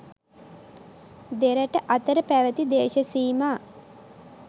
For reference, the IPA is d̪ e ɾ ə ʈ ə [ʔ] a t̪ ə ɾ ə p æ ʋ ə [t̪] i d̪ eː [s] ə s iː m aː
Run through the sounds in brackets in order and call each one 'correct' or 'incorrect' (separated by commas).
correct, correct, incorrect